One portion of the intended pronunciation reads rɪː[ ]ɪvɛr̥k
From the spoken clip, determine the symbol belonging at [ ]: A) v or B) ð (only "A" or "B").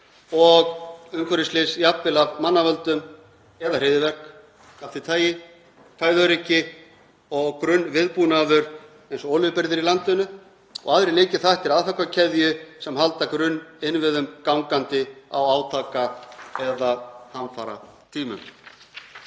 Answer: B